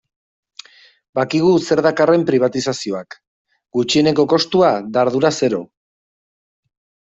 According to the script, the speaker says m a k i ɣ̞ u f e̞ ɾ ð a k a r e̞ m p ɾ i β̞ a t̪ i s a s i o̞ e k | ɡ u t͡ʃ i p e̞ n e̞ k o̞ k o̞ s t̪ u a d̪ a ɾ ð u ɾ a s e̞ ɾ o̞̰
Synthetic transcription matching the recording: b a k i ɣ̞ u s e̞ ɾ ð a k a r e̞ m p ɾ i β̞ a t̪ i s a s i o̞ a k | ɡ u t͡ʃ i e̞ n e̞ k o̞ k o̞ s t̪ u a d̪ a ɾ ð u ɾ a s e̞ ɾ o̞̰

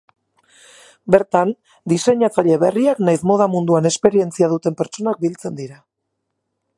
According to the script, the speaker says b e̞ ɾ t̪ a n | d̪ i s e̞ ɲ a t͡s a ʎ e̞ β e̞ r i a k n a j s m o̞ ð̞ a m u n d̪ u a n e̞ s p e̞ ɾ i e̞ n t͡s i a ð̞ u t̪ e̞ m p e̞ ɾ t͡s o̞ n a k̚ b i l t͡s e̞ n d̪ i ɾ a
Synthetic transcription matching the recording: b e̞ ɾ t̪ a n | d̪ i s e̞ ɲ a t͡s a ʎ e̞ β e̞ r i a k n a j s m o̞ ð̞ a m u n d̪ u a n e̞ s p e̞ ɾ i e̞ n t͡s i a ð̞ u t̪ e̞ m p e̞ ɾ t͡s o̞ n a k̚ b i l t͡s e̞ n d̪ i ɾ a

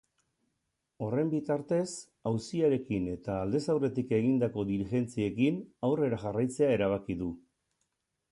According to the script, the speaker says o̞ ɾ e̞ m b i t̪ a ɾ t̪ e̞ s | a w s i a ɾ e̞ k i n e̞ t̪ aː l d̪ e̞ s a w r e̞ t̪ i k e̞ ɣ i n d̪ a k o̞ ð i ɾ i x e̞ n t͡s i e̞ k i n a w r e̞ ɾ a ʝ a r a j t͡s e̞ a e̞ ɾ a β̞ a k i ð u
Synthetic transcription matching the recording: o̞ r e̞ m b i t̪ a ɾ t̪ e̞ s | a w s i a ɾ e̞ k i n e̞ t̪ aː l d̪ e̞ s a w r e̞ t̪ i k e̞ ɣ i n d̪ a k o̞ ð i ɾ i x e̞ n t͡s i e̞ k i n a w r e̞ ɾ a ʝ a r a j t͡s e̞ a e̞ ɾ a β̞ a k i ð u

